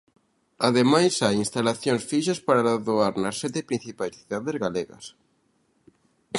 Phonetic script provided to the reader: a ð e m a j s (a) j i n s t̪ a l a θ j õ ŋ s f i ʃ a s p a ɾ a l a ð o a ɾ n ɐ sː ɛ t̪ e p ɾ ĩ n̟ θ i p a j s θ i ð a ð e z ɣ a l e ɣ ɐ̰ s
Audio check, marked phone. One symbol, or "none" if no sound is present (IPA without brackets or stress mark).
a